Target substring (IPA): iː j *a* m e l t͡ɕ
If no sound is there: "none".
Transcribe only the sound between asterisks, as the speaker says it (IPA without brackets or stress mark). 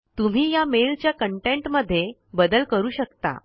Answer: a